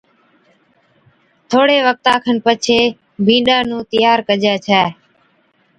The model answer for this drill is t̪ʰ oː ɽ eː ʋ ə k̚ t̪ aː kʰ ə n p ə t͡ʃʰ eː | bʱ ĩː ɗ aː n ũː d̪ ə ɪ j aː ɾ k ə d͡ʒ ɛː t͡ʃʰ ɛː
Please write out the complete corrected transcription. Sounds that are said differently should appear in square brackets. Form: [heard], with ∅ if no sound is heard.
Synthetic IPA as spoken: t̪ʰ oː ɽ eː ʋ ə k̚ t̪ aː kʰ ə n p ə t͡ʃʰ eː | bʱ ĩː ɗ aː n ũː [t̪] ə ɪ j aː ɾ k ə d͡ʒ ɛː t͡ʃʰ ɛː